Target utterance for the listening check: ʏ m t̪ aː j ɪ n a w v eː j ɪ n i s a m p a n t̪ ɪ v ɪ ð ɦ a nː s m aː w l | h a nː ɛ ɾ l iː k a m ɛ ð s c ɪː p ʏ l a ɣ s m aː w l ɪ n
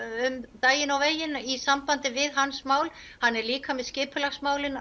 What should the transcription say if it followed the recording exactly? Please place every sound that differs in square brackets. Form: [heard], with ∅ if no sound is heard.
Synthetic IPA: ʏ m t̪ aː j ɪ n a w v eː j ɪ n i s a m p a n t̪ ɪ v ɪ ð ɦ a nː s m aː w l | h a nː ɛ ɾ l iː k a m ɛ ð s c ɪː p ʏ l a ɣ s m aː w l ɪ n